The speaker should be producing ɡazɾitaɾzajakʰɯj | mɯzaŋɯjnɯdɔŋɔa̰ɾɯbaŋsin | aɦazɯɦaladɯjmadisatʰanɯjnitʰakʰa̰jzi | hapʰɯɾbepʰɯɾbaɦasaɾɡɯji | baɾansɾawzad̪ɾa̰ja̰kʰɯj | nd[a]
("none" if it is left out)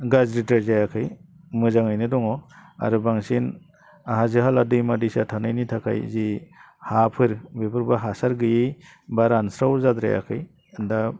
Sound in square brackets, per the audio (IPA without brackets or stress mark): a